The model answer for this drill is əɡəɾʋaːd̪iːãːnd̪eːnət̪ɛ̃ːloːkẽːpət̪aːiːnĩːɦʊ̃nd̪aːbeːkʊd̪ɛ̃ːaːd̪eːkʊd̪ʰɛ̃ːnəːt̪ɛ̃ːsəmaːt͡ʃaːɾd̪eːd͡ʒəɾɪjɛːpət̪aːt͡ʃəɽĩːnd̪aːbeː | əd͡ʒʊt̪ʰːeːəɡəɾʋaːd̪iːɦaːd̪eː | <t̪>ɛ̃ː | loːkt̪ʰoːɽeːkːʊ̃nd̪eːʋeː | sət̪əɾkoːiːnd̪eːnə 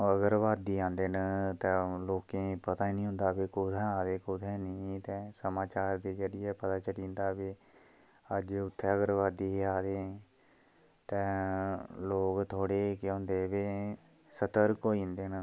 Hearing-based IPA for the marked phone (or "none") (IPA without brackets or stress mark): t̪